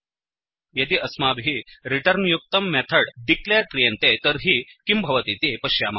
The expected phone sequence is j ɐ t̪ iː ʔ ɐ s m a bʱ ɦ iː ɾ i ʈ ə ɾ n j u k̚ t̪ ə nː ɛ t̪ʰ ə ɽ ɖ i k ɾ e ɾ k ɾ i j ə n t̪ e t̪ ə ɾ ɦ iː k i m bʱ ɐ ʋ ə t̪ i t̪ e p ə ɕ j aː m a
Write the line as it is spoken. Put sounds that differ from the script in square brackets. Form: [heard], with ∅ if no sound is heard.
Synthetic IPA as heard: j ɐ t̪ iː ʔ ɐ s m a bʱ ɦ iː ɾ i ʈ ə ɾ n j u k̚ t̪ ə [mː] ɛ t̪ʰ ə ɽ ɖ i k [l] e ɾ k ɾ i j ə n t̪ e t̪ ə ɾ ɦ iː k i m bʱ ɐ ʋ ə t̪ i t̪ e p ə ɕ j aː m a